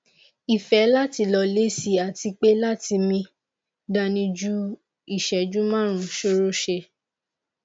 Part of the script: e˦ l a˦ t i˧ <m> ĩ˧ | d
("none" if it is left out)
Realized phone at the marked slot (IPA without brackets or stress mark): m